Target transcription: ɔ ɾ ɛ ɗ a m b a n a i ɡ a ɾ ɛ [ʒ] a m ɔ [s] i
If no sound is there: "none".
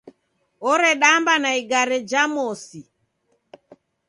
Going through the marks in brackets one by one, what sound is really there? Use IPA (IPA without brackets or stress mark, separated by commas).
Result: d͡ʒ, s